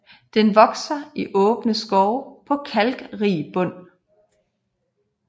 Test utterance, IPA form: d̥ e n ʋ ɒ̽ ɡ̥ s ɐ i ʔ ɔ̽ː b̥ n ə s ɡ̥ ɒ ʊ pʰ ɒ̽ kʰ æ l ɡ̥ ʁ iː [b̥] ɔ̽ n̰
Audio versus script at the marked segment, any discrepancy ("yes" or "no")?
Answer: no